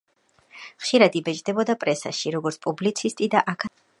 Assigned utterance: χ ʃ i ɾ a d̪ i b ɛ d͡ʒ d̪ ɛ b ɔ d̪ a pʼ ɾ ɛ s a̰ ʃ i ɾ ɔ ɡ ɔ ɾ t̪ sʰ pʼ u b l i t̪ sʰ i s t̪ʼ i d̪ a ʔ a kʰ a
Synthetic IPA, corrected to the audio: χ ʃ i ɾ a d̪ i b ɛ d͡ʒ d̪ ɛ b ɔ d̪ a pʼ ɾ ɛ s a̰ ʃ i ɾ ɔ ɡ ɔ ɾ t̪ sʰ pʼ u b l i t̪ sʰ i s t̪ʼ i d̪ a ʔ a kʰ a